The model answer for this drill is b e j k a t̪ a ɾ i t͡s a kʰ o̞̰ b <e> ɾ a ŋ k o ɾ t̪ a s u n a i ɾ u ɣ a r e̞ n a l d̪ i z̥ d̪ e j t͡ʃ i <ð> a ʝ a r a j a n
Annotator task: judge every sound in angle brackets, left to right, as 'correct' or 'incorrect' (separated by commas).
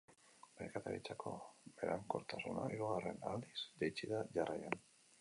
correct, correct